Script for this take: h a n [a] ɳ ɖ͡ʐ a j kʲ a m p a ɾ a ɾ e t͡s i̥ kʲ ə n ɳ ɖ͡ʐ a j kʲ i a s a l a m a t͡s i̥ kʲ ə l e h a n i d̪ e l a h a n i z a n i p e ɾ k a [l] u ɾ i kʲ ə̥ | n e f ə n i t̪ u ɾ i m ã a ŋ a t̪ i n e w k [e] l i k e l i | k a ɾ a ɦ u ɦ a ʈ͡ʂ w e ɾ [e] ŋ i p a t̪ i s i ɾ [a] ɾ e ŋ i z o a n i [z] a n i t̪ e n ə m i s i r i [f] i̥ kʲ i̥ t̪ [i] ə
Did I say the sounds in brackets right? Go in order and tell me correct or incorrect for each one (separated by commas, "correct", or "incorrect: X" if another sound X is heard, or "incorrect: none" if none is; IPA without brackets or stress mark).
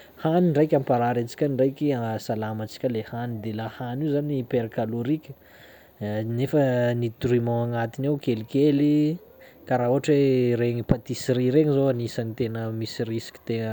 incorrect: i, correct, correct, correct, incorrect: i, incorrect: s, incorrect: s, incorrect: e